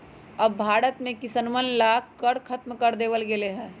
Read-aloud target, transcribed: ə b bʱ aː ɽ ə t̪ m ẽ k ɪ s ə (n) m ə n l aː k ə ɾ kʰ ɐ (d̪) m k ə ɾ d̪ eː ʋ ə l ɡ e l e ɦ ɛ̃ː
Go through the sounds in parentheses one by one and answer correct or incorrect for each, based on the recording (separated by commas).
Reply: correct, incorrect